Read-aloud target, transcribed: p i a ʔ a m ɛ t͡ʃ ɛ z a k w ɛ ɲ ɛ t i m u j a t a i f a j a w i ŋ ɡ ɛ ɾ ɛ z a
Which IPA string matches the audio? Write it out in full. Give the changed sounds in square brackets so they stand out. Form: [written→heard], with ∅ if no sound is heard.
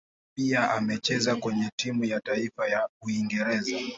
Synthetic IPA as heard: p i a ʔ a m ɛ t͡ʃ ɛ z a k w ɛ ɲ ɛ t i m u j a t a i f a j a [w→u] i ŋ ɡ ɛ ɾ ɛ z a